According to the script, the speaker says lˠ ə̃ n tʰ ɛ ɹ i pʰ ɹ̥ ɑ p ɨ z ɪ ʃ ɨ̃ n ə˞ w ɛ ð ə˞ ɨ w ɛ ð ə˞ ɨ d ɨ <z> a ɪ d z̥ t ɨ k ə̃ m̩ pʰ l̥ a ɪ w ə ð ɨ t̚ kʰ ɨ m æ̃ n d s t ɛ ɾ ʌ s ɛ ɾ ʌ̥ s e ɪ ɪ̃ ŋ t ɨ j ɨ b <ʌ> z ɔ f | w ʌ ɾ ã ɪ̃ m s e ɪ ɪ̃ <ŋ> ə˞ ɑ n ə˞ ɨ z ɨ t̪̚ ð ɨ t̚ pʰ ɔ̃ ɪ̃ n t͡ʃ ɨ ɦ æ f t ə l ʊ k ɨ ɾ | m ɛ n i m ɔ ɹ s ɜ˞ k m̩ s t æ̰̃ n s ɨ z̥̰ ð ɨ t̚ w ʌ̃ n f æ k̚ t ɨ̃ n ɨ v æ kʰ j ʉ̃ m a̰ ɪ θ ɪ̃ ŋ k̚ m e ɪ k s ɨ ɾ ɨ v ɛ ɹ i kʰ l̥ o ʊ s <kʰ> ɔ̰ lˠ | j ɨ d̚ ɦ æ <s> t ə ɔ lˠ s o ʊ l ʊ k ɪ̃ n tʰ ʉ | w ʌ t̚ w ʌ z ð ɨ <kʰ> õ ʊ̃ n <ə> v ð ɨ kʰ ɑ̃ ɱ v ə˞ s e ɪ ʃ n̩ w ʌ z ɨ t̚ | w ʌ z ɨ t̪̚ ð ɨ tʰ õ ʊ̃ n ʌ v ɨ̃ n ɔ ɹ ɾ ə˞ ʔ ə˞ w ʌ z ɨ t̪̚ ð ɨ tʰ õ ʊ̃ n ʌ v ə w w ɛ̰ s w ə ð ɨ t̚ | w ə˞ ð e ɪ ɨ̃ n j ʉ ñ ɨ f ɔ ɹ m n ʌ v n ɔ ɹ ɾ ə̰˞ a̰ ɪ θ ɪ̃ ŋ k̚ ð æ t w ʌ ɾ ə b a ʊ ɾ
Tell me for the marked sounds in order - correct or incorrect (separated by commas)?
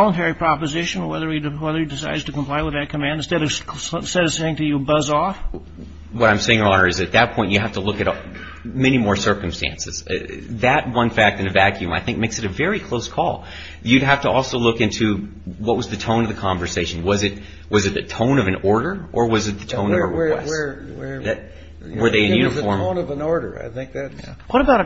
incorrect, correct, correct, correct, incorrect, incorrect, incorrect